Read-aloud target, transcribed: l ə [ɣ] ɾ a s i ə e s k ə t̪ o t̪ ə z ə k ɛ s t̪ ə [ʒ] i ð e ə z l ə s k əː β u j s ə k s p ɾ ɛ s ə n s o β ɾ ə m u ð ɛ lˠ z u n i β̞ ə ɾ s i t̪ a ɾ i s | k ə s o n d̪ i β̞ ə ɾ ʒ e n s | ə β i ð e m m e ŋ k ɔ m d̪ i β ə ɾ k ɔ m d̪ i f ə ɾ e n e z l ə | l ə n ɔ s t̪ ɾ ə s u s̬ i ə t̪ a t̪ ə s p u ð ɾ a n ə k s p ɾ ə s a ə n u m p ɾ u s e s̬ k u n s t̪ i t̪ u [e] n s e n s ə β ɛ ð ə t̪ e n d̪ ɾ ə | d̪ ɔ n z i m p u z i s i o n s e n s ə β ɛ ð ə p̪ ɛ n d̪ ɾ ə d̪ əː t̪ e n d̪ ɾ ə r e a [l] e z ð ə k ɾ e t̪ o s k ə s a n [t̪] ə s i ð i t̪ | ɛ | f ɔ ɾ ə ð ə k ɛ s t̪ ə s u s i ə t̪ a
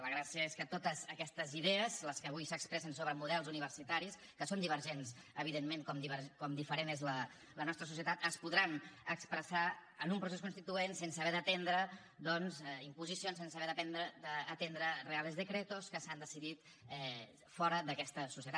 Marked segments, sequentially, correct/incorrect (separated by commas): correct, incorrect, correct, correct, incorrect